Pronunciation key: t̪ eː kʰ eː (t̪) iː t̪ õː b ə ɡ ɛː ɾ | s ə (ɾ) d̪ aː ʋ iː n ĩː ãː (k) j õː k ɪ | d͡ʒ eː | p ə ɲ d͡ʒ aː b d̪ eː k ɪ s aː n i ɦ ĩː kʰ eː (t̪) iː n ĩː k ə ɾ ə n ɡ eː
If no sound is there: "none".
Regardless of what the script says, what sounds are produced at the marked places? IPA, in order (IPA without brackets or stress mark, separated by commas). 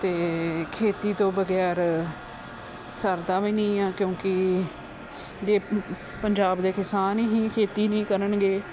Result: t̪, ɾ, k, t̪